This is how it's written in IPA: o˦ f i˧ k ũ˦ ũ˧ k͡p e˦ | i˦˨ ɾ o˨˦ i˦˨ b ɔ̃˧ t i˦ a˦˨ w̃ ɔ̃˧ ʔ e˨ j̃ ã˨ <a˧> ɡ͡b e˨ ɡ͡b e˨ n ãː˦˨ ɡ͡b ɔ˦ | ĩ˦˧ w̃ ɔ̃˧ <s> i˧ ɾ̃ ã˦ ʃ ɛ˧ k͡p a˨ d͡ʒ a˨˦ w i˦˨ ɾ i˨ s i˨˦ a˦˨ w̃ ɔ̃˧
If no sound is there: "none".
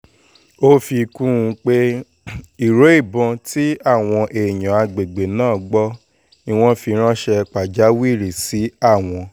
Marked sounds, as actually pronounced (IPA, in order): a˧, f

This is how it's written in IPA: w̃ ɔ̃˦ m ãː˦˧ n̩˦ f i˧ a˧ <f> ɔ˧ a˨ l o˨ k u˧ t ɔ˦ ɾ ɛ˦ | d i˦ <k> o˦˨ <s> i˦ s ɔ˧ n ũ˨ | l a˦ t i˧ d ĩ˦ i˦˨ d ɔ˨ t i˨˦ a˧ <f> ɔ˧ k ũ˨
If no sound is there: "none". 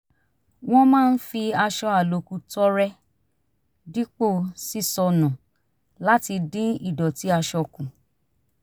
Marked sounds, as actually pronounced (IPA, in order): ʃ, k͡p, s, ʃ

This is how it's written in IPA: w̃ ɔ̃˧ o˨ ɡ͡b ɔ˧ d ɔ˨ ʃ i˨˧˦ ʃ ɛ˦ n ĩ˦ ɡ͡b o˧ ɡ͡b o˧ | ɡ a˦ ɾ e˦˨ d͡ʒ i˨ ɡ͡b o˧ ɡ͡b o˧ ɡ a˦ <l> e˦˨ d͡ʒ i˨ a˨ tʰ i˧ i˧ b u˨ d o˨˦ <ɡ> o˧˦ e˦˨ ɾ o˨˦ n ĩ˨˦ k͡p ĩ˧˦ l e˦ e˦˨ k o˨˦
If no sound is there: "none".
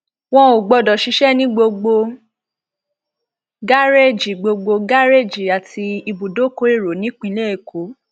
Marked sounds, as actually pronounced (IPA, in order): ɾ, k

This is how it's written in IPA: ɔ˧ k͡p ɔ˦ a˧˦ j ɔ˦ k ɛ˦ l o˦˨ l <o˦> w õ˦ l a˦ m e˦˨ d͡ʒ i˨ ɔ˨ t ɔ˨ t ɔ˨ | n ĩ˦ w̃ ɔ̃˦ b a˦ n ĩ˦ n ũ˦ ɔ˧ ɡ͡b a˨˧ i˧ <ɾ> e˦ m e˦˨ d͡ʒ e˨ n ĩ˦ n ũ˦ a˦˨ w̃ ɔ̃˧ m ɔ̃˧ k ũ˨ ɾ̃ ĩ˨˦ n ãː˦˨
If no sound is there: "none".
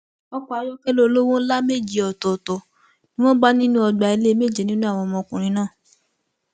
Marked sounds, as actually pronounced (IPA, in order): o˦, l

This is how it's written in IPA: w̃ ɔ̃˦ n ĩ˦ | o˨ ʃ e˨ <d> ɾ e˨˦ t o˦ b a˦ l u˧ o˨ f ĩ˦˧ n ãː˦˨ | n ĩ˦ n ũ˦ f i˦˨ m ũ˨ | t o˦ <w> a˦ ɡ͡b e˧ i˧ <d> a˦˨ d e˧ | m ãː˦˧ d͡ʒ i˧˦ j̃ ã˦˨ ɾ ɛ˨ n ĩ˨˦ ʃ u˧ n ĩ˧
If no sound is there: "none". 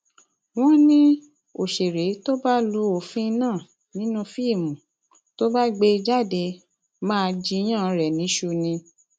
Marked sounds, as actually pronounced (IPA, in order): none, b, d͡ʒ

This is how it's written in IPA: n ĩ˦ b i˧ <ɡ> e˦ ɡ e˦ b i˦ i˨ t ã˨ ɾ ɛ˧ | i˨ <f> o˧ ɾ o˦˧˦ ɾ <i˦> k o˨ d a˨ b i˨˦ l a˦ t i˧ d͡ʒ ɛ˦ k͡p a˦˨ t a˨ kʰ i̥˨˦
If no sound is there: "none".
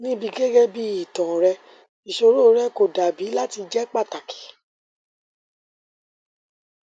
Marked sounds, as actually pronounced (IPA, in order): ɡ, ʃ, ɛ˦

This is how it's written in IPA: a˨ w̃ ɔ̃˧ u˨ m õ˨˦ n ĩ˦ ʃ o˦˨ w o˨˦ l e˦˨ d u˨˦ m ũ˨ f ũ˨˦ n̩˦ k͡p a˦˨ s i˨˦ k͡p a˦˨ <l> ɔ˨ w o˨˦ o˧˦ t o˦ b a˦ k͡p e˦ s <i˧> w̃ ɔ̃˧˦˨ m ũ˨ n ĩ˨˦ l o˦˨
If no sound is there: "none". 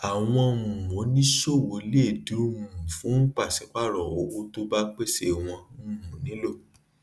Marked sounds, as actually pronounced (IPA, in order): ɾ, e˧

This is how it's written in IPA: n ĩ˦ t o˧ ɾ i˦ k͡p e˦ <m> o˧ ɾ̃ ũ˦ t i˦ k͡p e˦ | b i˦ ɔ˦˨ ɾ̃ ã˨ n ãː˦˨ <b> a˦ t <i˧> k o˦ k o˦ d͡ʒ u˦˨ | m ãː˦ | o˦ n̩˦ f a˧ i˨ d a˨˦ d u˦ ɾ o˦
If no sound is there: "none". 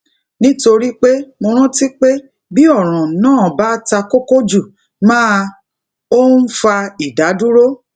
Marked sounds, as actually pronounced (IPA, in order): m, b, a˧

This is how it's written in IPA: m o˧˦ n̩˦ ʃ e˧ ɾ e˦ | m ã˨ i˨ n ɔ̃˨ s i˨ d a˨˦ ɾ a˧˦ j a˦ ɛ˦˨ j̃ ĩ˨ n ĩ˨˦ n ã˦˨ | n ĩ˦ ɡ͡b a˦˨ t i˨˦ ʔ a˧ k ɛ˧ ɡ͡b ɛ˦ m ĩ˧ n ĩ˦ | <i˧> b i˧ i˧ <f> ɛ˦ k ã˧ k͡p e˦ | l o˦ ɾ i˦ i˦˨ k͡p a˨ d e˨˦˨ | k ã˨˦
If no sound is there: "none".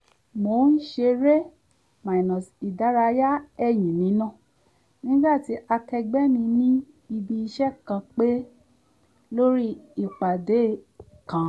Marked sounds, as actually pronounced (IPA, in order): i˧, ʃ

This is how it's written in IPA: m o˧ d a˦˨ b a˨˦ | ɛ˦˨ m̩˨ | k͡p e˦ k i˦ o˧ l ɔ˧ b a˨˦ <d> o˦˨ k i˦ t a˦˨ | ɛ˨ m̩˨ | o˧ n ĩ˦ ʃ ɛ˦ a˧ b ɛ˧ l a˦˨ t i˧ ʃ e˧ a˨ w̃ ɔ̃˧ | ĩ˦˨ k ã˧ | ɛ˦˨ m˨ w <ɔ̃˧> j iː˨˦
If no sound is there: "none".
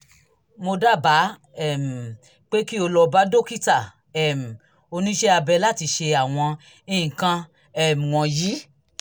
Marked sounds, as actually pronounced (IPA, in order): d, ɔ̃˧

